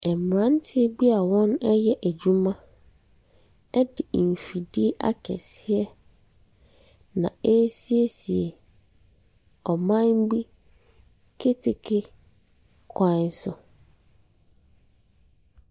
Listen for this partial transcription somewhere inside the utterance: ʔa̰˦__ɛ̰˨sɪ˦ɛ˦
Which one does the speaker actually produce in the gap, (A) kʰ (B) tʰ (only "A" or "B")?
A